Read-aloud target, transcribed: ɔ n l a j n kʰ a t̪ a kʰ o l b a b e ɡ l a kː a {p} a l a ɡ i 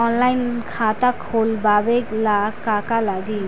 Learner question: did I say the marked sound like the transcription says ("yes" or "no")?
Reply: no